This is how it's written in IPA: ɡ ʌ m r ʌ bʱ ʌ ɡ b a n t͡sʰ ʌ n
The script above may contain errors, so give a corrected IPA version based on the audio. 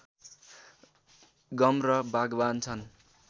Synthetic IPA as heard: ɡ ʌ m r ʌ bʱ a ɡ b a n t͡sʰ ʌ n